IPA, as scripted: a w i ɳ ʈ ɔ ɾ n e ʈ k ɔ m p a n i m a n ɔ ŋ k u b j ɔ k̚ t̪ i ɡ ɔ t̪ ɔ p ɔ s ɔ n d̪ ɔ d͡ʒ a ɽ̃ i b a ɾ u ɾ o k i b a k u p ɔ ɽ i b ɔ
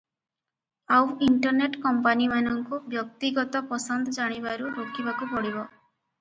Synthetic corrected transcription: a w i ɳ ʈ ɔ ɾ n e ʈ k ɔ m p a n i m a n ɔ ŋ k u b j ɔ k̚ t̪ i ɡ ɔ t̪ ɔ p ɔ s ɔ n d̪ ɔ d͡ʒ a ɽ̃ i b a ɾ u ɾ o k i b a k u p ɔ ɽ i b ɔ